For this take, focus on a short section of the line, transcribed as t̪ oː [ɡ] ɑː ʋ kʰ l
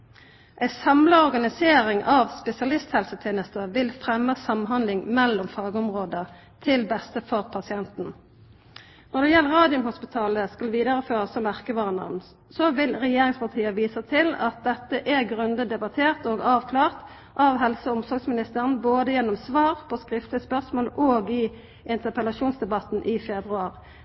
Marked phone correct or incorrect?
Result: correct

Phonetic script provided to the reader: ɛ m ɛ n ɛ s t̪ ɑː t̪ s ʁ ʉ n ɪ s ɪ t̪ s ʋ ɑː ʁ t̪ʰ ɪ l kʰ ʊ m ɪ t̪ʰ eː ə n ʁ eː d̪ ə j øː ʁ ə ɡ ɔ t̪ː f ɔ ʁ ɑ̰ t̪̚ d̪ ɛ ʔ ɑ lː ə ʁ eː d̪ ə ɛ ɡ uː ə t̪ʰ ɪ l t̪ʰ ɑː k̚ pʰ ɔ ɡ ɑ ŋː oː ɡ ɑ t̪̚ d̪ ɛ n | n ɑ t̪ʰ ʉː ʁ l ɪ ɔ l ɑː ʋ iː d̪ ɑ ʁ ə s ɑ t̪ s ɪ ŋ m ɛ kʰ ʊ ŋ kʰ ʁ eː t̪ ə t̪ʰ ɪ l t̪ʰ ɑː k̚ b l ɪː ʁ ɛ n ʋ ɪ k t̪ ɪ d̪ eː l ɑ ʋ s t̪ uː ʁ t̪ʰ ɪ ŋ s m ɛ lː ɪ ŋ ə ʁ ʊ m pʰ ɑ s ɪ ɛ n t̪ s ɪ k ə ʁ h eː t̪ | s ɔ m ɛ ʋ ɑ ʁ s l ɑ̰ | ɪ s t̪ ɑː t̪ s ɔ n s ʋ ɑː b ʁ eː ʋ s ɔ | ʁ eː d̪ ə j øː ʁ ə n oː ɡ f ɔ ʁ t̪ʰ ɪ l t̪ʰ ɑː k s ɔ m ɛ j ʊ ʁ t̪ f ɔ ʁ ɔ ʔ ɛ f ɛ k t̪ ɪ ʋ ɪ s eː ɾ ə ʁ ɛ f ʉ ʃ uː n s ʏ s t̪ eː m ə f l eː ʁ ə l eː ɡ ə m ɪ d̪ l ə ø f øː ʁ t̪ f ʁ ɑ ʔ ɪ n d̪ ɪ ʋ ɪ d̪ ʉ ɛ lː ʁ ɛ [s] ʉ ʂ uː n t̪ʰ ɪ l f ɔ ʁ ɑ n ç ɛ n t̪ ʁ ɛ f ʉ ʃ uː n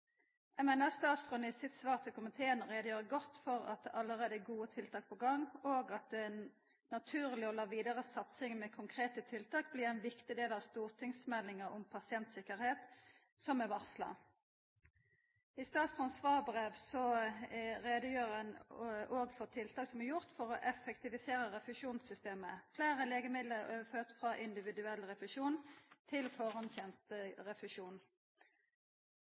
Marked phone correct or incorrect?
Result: incorrect: f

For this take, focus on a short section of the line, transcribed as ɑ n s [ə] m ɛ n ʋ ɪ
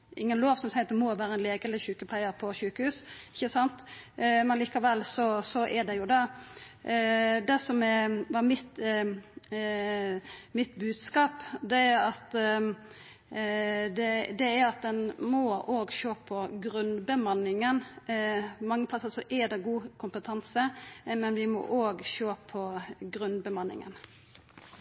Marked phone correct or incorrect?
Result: correct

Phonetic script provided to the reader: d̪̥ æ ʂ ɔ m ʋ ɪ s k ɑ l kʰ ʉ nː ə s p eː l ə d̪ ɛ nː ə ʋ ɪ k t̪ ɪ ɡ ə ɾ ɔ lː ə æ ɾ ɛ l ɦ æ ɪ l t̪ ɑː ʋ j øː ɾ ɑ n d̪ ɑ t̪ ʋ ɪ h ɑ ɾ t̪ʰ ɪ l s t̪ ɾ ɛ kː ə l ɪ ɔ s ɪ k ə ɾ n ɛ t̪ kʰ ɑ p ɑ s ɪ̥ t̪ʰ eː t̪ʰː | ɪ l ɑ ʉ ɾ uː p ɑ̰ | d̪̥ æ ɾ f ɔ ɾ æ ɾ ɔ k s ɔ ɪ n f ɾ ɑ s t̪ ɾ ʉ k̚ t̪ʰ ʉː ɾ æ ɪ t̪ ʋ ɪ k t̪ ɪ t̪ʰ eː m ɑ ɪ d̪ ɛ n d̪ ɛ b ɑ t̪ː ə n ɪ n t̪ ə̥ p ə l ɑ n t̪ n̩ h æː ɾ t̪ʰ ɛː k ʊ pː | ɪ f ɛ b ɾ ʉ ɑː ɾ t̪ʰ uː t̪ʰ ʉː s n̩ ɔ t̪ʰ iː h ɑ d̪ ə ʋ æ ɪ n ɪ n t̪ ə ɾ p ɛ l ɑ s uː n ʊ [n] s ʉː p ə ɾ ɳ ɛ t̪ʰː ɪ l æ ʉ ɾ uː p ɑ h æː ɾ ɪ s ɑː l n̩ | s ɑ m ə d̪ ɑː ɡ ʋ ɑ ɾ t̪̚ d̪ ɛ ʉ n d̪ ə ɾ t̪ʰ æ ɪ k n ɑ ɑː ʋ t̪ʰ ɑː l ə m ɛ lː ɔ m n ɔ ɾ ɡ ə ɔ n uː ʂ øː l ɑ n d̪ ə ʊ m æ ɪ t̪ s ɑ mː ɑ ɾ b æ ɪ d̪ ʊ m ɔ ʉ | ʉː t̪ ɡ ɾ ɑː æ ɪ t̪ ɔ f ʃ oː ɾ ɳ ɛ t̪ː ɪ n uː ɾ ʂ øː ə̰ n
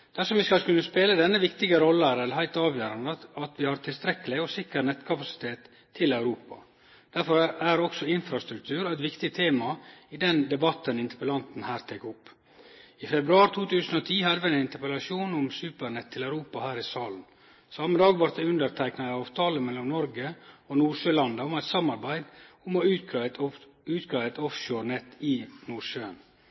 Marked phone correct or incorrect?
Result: incorrect: m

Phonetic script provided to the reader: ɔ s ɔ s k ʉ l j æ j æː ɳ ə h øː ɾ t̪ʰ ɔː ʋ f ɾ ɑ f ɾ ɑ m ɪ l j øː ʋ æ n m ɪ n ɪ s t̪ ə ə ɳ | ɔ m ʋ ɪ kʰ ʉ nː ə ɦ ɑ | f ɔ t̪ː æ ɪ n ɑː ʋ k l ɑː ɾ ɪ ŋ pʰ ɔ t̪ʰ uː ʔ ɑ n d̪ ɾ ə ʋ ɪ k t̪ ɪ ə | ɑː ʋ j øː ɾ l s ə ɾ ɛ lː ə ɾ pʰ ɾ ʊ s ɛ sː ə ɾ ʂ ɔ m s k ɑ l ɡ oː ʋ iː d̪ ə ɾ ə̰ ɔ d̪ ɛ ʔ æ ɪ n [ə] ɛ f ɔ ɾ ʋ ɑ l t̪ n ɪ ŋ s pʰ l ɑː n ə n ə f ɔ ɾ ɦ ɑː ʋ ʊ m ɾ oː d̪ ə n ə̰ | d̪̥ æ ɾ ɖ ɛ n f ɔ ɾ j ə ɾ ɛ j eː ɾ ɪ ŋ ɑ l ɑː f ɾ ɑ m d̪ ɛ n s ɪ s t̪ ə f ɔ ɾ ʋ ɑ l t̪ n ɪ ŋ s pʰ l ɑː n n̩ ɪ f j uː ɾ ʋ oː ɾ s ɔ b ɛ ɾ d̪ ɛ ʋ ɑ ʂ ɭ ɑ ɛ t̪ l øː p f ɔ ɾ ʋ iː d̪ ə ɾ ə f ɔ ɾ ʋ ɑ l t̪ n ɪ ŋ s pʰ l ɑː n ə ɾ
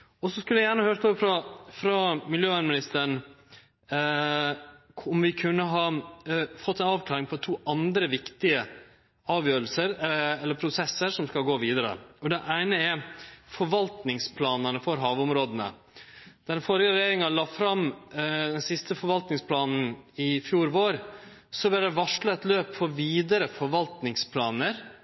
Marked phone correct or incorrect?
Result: correct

